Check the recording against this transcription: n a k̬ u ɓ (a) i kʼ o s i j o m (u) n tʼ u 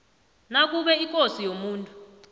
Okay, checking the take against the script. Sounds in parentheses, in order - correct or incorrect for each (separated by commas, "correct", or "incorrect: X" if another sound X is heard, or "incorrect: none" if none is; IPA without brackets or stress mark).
incorrect: ɛ, incorrect: uː